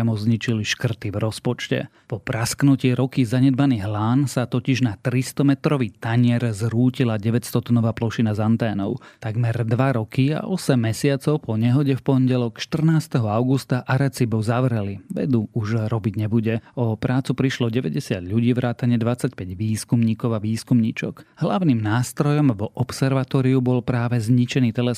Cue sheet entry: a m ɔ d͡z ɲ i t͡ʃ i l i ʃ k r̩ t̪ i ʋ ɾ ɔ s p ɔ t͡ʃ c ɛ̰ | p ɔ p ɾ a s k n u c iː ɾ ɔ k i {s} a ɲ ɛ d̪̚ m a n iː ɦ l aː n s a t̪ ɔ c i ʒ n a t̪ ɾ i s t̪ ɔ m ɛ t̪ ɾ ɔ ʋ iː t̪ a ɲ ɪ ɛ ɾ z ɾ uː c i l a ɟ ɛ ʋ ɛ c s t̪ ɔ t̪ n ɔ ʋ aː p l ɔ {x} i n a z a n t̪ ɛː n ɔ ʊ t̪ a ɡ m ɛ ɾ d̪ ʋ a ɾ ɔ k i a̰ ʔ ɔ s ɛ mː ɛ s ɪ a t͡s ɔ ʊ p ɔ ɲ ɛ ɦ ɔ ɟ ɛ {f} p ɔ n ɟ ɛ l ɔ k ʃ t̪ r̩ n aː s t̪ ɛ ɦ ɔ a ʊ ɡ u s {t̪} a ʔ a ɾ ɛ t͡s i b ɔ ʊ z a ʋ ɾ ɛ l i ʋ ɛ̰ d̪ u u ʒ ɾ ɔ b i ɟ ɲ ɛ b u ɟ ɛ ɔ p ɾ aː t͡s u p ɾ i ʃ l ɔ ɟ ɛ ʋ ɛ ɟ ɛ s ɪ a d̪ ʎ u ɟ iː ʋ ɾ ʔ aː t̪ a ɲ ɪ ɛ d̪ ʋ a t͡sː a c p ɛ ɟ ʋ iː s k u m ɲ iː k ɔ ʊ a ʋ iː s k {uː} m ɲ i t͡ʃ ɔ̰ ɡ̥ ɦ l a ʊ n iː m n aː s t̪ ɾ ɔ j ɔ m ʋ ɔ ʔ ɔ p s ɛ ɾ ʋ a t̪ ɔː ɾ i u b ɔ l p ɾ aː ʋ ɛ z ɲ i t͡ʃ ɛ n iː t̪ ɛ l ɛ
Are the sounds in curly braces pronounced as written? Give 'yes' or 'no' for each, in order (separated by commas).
no, no, yes, yes, no